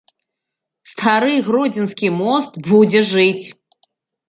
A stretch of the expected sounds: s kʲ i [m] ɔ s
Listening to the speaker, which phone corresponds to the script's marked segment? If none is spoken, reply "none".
m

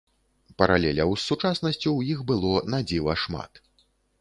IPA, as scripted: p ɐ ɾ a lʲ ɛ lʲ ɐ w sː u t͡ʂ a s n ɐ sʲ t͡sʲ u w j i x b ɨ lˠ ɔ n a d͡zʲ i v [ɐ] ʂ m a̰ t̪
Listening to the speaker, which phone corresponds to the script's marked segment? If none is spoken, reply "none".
ɐ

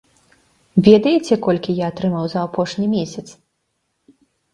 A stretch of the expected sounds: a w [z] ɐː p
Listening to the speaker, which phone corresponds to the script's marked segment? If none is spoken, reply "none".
z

